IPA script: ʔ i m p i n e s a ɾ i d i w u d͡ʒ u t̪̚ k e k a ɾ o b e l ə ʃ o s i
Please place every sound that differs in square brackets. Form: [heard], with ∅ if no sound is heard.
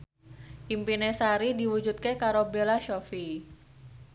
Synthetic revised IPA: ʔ i m p i n e s a ɾ i d i w u d͡ʒ u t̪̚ k e k a ɾ o b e l [a] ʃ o [f] i